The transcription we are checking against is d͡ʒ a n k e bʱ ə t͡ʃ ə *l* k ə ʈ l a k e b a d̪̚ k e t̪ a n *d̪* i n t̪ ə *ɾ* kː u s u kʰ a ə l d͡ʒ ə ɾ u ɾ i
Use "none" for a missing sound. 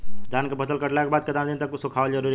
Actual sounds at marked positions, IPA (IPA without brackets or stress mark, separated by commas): l, d̪, none